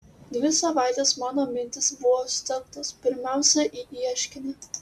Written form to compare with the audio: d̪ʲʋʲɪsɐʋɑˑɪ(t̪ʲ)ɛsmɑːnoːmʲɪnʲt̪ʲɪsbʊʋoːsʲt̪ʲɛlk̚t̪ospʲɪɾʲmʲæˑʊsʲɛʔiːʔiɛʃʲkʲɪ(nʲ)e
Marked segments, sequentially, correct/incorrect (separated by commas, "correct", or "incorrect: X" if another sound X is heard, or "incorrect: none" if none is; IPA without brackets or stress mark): correct, correct